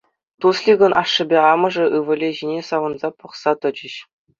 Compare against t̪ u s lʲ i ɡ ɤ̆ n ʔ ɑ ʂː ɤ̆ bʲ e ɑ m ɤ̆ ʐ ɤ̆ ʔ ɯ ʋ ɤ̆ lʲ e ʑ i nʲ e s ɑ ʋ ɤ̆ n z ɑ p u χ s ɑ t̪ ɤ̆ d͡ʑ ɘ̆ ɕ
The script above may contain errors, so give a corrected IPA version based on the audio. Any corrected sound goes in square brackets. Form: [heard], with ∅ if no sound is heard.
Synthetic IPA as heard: t̪ u s lʲ i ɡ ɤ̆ n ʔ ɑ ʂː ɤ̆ bʲ e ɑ m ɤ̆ ʐ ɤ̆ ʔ ɯ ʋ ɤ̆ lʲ e ʑ i nʲ e s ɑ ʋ ɤ̆ n z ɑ p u χ s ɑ t̪ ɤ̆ d͡ʑ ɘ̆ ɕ